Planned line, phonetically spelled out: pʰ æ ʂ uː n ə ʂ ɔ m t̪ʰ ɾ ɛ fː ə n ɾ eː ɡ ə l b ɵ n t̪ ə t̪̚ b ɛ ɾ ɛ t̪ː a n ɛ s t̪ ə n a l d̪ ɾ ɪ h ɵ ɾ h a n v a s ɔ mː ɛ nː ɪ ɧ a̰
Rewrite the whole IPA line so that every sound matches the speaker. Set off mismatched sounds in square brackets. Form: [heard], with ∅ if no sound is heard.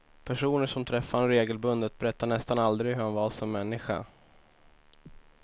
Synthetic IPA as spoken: pʰ æ ʂ uː n ə ʂ ɔ m t̪ʰ ɾ ɛ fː [a] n ɾ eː ɡ ə l b ɵ n [d̪] ə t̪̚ b ɛ ɾ ɛ t̪ː a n ɛ s t̪ [a] n a l d̪ ɾ ɪ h ɵ ɾ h a n v a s ɔ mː ɛ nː ɪ ɧ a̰